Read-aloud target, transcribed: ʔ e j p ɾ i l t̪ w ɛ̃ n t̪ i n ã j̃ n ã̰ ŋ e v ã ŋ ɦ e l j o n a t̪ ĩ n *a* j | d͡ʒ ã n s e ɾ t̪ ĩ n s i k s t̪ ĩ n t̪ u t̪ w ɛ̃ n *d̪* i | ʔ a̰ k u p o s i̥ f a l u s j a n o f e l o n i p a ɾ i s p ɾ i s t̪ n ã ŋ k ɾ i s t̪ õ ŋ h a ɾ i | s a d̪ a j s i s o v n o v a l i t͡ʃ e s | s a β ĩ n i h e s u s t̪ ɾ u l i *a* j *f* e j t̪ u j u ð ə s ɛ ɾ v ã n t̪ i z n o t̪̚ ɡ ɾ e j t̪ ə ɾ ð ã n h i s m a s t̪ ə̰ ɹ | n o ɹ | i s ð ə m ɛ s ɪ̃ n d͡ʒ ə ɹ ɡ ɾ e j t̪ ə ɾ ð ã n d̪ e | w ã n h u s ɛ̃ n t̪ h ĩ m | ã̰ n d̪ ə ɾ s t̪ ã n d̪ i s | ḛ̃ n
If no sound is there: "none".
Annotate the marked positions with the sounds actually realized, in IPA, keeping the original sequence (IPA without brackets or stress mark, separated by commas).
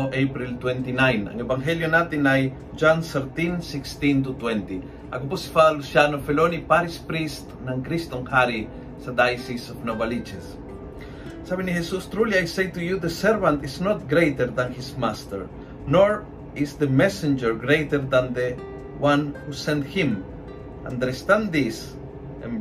a, t̪, a, s